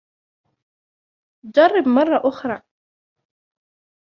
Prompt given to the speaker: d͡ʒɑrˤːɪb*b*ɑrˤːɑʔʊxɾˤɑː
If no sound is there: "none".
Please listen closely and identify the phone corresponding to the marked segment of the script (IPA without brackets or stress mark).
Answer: m